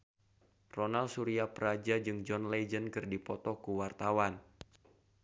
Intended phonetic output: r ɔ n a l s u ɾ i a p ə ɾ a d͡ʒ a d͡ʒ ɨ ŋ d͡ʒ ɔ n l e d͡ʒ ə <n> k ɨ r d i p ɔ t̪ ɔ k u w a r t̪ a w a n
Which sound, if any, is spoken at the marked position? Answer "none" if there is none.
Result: n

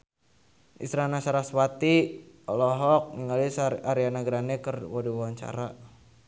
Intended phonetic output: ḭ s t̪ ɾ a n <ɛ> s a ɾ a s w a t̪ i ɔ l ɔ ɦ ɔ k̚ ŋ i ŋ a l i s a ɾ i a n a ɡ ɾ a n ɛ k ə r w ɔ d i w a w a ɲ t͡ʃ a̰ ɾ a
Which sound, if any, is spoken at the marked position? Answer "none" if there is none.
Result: a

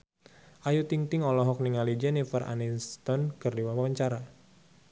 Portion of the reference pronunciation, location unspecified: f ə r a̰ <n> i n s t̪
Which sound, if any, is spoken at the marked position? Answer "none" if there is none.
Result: n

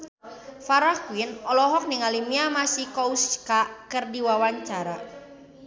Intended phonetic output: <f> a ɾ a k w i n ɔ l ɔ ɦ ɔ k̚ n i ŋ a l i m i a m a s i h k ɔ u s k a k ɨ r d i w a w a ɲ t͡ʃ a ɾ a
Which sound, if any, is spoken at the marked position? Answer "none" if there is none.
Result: f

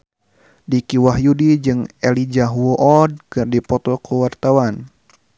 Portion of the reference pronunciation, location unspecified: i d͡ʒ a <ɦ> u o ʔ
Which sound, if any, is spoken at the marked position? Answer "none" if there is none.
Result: ɦ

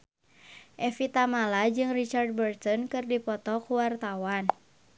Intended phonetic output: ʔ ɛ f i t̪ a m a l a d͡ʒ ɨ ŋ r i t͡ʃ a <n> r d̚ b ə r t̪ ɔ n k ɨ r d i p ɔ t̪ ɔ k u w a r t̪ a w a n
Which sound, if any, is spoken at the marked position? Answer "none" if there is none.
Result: none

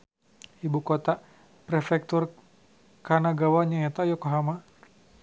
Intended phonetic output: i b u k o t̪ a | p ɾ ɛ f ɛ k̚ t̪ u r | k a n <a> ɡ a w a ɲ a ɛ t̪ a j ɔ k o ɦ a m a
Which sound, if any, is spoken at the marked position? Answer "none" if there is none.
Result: a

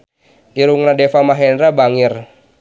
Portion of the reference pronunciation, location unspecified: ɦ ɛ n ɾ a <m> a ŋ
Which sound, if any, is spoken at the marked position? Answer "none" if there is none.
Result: b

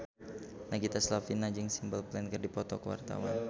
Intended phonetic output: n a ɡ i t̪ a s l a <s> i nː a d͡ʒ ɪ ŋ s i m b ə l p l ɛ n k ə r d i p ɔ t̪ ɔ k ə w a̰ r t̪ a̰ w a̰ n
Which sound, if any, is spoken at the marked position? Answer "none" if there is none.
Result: f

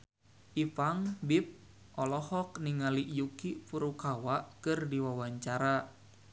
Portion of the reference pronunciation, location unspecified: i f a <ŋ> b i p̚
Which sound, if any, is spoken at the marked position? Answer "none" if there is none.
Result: ŋ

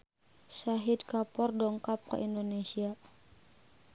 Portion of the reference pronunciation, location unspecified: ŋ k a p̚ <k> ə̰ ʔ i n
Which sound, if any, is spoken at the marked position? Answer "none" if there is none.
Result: k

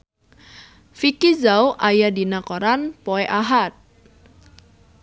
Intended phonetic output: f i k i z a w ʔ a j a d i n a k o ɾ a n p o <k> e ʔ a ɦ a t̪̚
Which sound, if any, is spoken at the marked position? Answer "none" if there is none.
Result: none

